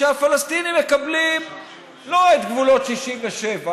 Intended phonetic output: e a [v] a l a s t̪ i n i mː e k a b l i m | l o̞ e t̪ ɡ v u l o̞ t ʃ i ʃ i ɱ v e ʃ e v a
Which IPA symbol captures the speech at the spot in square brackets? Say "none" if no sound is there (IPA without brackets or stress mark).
f